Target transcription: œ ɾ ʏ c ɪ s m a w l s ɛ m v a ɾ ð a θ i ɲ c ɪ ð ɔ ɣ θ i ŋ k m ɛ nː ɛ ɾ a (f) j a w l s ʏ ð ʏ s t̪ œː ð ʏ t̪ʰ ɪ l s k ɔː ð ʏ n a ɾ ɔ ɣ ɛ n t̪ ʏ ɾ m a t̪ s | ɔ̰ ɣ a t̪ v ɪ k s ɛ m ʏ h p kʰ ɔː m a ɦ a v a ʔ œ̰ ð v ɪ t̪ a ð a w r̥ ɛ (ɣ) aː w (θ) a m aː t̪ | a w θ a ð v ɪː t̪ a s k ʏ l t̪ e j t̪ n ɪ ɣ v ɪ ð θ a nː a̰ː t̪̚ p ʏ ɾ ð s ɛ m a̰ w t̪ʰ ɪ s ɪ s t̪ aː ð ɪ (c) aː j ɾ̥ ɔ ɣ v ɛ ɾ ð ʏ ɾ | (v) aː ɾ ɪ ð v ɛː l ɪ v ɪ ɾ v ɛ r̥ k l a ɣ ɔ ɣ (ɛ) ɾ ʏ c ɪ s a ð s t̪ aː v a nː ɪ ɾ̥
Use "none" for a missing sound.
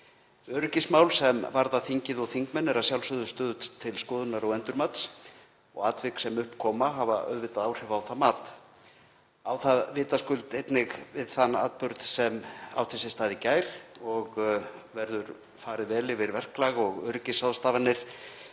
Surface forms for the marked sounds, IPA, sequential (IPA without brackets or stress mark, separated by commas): s, v, θ, c, f, œ